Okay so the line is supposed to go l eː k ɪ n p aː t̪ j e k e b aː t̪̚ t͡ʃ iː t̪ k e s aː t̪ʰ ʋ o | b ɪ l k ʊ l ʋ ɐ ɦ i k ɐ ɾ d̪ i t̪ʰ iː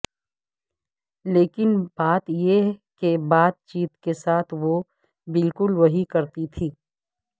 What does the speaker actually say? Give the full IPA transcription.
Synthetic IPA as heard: l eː k ɪ n b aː t̪ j e k e b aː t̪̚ t͡ʃ iː t̪ k e s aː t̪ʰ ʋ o | b ɪ l k ʊ l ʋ ɐ ɦ i k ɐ ɾ t̪ i t̪ʰ iː